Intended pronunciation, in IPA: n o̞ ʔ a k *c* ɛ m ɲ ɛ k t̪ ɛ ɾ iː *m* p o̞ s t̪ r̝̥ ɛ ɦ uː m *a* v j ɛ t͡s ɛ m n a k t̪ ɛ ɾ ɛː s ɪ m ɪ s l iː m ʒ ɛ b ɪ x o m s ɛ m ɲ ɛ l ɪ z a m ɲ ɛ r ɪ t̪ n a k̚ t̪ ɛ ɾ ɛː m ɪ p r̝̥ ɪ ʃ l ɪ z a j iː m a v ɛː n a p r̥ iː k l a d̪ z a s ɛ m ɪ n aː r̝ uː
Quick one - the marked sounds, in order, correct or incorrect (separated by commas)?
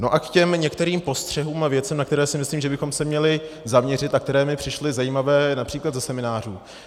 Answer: correct, correct, correct